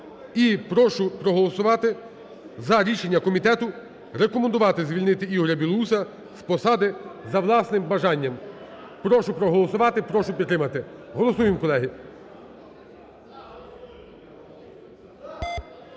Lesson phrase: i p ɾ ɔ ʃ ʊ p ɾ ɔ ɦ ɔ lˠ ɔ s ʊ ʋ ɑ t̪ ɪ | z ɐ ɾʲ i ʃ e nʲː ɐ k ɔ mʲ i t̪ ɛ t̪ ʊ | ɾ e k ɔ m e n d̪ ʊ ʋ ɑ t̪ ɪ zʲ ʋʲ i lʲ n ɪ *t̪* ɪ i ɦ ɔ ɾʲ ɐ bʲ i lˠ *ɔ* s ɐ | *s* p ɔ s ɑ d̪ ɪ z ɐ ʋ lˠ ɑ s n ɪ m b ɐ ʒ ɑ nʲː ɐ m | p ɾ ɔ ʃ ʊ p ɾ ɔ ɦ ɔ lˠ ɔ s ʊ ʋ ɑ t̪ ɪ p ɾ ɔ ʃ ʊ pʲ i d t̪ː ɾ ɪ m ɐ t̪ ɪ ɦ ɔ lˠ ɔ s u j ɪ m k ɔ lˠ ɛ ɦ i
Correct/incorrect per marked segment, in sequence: correct, incorrect: u, correct

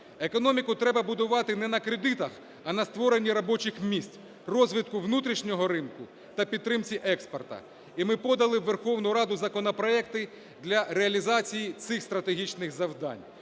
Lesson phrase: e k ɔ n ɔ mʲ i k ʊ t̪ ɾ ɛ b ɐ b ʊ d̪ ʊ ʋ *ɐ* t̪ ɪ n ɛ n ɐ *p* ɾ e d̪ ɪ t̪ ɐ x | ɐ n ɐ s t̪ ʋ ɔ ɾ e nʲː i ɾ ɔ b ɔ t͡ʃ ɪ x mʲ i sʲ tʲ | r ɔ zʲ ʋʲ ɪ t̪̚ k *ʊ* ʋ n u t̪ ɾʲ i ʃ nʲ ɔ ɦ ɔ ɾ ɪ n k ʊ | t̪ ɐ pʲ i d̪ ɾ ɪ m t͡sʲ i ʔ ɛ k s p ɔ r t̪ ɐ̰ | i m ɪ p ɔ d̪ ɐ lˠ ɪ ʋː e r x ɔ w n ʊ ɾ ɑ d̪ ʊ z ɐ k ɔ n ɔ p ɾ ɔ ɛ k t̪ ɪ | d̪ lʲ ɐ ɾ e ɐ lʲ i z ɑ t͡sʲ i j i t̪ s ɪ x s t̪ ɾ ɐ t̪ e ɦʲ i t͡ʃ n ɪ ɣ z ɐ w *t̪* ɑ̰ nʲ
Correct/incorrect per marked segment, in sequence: incorrect: ɑ, incorrect: k, correct, incorrect: d̪

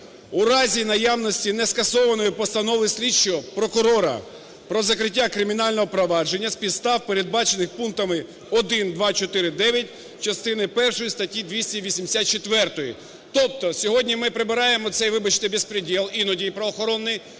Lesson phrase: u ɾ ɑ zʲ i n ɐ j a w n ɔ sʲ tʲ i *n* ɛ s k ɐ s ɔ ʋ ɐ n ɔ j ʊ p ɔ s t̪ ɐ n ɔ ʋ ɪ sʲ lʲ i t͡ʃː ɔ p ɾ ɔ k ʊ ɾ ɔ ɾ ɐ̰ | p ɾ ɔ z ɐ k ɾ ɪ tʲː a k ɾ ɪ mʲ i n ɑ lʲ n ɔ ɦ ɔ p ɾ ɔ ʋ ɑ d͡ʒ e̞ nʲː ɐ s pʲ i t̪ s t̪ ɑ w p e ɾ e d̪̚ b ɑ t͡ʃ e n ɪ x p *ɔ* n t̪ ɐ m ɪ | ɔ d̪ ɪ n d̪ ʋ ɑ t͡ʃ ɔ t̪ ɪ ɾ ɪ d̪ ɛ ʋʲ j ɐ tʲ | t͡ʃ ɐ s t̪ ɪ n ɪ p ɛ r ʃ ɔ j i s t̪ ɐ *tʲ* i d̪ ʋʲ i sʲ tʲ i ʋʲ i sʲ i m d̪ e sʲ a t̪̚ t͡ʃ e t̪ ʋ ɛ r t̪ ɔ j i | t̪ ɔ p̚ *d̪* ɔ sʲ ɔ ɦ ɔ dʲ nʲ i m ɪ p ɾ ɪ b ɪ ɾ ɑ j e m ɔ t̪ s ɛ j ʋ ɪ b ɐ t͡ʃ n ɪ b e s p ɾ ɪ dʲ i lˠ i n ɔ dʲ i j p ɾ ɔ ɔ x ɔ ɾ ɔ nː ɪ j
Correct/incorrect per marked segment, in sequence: correct, incorrect: u, correct, incorrect: t̪

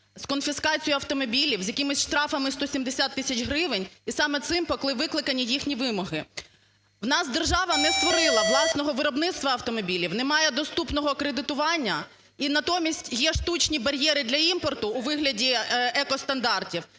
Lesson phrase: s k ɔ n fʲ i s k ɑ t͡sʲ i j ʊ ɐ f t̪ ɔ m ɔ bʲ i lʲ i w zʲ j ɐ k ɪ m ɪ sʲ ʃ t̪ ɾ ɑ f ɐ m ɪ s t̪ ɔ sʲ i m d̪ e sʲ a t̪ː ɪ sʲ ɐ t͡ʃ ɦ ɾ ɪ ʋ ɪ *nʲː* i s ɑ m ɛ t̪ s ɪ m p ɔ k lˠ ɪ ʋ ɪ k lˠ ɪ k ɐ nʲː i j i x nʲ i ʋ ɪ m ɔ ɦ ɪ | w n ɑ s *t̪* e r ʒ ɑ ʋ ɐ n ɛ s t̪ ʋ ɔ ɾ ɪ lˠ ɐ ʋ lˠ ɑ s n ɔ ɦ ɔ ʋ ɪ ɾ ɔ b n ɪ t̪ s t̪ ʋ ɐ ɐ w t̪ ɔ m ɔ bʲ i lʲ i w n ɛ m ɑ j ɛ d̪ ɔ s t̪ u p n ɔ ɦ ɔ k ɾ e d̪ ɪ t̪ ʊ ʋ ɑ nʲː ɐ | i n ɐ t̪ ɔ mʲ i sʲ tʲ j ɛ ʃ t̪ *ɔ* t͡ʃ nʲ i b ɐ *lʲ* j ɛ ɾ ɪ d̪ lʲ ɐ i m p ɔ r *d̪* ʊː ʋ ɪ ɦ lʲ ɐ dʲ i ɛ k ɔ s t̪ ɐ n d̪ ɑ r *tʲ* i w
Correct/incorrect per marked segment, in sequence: incorrect: nʲ, incorrect: d̪, incorrect: u, incorrect: ɾʲ, incorrect: t̪, correct

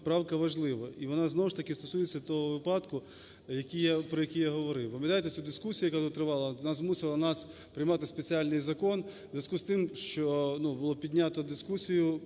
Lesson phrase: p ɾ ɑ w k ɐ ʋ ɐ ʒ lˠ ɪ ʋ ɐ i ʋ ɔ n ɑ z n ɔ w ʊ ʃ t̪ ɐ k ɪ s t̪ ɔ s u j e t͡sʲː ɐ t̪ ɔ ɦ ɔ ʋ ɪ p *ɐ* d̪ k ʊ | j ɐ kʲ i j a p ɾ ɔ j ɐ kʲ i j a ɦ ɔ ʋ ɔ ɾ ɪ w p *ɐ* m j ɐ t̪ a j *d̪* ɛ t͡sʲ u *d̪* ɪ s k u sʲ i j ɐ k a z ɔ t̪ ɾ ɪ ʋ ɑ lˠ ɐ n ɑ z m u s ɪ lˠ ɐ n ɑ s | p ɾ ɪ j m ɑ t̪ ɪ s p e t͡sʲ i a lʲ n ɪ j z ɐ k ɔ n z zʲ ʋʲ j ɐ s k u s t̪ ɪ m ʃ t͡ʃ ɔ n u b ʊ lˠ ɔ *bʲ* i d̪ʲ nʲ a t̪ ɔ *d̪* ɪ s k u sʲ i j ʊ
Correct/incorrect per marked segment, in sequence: incorrect: ɑ, correct, incorrect: t̪, correct, incorrect: pʲ, correct

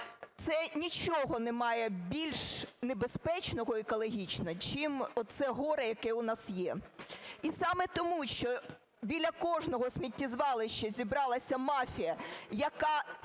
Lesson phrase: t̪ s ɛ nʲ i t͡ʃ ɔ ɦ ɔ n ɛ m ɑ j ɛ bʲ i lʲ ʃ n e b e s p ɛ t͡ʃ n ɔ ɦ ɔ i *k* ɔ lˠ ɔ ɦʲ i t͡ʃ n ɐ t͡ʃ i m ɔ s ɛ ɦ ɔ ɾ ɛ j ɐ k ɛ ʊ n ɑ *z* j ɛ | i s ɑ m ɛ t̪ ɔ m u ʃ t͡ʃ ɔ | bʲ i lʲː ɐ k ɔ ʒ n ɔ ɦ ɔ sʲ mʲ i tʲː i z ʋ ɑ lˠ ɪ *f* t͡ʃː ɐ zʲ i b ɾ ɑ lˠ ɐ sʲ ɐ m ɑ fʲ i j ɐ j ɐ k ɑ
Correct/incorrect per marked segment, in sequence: correct, incorrect: s, incorrect: ʃ

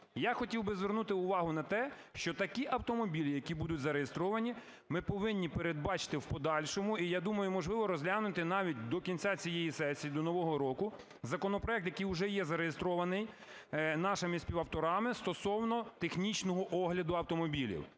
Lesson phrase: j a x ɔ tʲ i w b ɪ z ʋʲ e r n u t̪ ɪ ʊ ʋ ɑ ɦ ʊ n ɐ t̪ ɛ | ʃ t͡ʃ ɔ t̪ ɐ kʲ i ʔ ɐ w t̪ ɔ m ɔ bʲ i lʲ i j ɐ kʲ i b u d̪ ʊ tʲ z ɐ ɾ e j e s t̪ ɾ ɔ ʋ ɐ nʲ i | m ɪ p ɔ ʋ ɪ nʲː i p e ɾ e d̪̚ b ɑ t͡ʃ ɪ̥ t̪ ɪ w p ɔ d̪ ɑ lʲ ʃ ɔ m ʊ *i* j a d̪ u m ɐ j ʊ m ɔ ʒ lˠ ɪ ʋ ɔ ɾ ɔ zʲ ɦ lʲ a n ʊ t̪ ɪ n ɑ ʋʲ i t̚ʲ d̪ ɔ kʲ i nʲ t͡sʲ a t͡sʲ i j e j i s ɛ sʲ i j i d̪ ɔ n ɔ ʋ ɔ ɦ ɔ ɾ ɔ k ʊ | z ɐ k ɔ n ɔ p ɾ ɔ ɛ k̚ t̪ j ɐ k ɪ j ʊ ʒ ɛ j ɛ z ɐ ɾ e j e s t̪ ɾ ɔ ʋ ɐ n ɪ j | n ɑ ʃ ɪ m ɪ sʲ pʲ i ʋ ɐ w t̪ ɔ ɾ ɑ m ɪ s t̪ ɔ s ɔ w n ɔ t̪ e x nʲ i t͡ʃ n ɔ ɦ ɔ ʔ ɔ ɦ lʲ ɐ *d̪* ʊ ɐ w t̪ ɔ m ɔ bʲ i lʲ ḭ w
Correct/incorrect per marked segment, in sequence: correct, correct

